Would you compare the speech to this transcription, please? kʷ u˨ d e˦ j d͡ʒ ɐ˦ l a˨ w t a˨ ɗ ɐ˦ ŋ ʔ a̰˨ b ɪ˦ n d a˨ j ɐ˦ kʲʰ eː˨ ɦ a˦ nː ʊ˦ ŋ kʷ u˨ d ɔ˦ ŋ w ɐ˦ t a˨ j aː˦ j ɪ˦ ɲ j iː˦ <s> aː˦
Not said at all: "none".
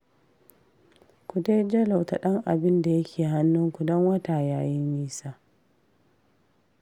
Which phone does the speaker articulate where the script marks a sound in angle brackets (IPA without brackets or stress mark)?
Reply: s